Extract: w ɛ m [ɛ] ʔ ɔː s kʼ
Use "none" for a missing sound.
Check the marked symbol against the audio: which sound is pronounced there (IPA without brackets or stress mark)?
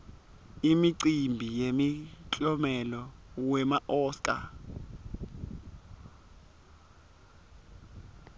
a